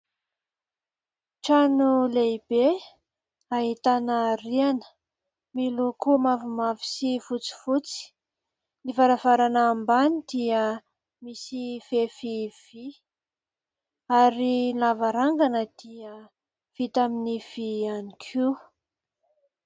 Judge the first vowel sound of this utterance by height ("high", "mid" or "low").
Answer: low